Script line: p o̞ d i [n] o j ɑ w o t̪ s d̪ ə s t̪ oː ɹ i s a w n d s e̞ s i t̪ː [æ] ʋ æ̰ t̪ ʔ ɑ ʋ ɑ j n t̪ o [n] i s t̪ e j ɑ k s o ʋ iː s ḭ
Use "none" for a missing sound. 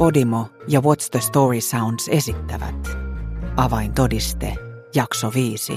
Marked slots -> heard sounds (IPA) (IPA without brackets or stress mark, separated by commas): m, æ, d